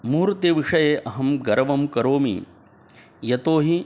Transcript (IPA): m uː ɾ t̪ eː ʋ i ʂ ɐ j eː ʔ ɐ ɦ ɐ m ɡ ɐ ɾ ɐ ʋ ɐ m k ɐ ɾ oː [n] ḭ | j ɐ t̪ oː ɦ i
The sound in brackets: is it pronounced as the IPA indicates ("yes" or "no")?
no